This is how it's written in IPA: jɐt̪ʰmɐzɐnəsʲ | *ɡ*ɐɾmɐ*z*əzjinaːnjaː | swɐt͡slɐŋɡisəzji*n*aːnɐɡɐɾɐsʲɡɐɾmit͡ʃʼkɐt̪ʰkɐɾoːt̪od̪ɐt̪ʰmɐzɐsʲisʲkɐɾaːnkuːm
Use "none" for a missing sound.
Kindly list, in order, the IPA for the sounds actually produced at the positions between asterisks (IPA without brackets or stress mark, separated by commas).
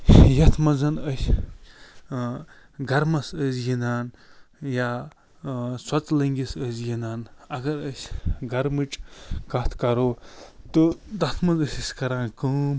ɡ, s, n